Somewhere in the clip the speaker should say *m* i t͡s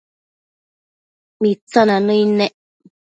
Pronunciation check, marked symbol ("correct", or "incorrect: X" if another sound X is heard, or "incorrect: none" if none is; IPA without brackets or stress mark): correct